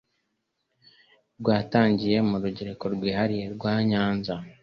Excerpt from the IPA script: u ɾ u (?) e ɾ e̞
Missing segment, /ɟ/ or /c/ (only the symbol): ɟ